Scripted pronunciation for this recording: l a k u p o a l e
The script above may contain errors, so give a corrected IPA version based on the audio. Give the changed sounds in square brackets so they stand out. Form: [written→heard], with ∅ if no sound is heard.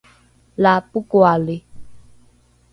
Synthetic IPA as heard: l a [k→p] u [p→k] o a l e